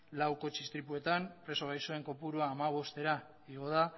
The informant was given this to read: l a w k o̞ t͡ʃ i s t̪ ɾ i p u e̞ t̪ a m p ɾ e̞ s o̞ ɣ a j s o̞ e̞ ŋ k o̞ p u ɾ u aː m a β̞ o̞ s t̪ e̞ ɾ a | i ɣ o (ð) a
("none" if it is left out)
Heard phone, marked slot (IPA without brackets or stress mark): ð